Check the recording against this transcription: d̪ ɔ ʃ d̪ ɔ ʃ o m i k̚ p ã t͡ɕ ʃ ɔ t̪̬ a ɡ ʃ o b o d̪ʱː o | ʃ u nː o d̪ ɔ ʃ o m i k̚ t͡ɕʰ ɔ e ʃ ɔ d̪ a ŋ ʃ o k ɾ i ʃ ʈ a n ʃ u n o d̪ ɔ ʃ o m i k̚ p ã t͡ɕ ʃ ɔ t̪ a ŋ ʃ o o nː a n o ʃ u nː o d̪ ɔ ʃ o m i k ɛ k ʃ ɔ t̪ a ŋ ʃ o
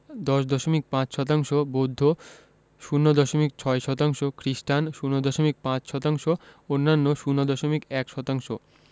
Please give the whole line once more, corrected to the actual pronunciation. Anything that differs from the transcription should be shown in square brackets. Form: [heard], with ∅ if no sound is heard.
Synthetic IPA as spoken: d̪ ɔ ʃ d̪ ɔ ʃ o m i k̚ p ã t͡ɕ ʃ ɔ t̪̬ a [ŋ] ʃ o b o d̪ʱː o | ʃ u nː o d̪ ɔ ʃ o m i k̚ t͡ɕʰ ɔ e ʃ ɔ [t̪] a ŋ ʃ o k ɾ i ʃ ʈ a n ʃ u n o d̪ ɔ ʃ o m i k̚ p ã t͡ɕ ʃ ɔ t̪ a ŋ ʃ o o nː a [nː] o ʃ u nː o d̪ ɔ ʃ o m i k ɛ k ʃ ɔ t̪ a ŋ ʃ o

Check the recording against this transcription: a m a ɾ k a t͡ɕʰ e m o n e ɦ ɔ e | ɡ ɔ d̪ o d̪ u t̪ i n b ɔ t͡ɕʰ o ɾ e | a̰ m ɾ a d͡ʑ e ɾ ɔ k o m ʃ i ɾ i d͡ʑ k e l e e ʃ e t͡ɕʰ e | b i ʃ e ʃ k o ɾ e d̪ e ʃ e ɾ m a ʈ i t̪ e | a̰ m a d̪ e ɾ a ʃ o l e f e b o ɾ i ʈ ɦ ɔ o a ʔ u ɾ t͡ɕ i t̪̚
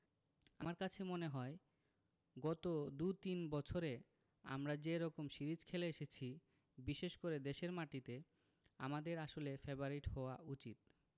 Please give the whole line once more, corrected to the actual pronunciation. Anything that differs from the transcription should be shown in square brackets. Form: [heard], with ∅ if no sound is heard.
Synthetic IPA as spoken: a m a ɾ k a t͡ɕʰ e m o n e ɦ ɔ e | ɡ ɔ [t̪] o d̪ u t̪ i n b ɔ t͡ɕʰ o ɾ e | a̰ m ɾ a d͡ʑ e ɾ ɔ k o m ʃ i ɾ i d͡ʑ [kʰ] e l e e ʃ e t͡ɕʰ [i] | b i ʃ e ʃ k o ɾ e d̪ e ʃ e ɾ m a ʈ i t̪ e | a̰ m a d̪ e ɾ a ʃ o l e f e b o ɾ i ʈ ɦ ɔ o a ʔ u [∅] t͡ɕ i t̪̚

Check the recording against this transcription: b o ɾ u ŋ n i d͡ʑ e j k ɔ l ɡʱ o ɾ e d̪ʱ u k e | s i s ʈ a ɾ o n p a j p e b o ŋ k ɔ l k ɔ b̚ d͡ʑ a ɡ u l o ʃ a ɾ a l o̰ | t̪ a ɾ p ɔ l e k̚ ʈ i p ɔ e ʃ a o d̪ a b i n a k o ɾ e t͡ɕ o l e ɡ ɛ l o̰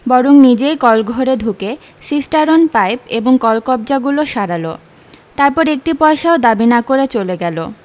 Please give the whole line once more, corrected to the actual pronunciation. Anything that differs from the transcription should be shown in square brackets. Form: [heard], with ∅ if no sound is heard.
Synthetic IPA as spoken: b [ɔ] ɾ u ŋ n i d͡ʑ e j k ɔ l ɡʱ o ɾ e d̪ʱ u k e | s i s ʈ a ɾ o n p a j p e b o ŋ k ɔ l k ɔ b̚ d͡ʑ a ɡ u l o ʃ a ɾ a l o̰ | t̪ a ɾ p ɔ [ɾ] e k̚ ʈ i p ɔ e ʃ a o d̪ a b i n a k o ɾ e t͡ɕ o l e ɡ ɛ l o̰

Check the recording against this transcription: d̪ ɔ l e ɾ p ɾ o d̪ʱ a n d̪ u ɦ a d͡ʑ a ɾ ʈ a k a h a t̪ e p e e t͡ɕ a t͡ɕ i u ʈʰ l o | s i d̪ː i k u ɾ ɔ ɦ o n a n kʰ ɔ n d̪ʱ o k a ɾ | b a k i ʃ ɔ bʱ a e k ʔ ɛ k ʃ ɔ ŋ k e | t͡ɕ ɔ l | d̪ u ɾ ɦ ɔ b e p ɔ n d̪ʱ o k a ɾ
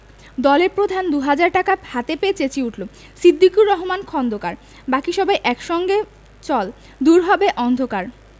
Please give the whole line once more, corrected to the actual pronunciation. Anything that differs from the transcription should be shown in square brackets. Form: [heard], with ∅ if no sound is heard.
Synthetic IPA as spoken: d̪ ɔ l e ɾ p ɾ o d̪ʱ a n d̪ u ɦ a d͡ʑ a ɾ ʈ a k a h a t̪ e p e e t͡ɕ [e] t͡ɕ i u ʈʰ l o | s i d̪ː i k u ɾ ɔ ɦ o [m] a n kʰ ɔ n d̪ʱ o k a ɾ | b a k i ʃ ɔ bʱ a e [∅] ʔ ɛ k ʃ ɔ ŋ [ɡ] e | t͡ɕ ɔ l | d̪ u ɾ ɦ ɔ b e [ʔ] ɔ n d̪ʱ o k a ɾ

